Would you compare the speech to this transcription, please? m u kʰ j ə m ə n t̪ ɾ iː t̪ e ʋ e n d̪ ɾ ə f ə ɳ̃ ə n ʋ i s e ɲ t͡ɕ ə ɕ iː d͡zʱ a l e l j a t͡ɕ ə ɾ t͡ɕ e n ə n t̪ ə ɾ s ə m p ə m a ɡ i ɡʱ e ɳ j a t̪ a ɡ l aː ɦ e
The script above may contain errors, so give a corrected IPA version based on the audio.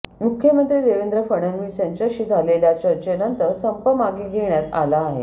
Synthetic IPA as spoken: m u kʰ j ə m ə n t̪ ɾ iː d̪ e ʋ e n d̪ ɾ ə f ə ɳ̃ ə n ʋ i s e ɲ t͡ɕ ə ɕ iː d͡zʱ a l e l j a t͡ɕ ə ɾ t͡ɕ e n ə n t̪ ə ɾ s ə m p ə m a ɡ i ɡʱ e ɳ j a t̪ a l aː ɦ e